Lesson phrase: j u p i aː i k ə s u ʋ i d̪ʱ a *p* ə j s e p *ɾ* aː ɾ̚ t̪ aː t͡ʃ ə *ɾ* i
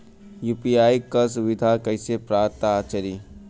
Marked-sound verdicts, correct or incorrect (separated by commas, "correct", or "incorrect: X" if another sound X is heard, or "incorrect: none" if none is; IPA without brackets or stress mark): incorrect: k, correct, correct